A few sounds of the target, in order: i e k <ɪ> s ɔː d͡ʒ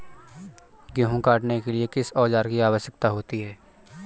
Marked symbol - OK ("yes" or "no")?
yes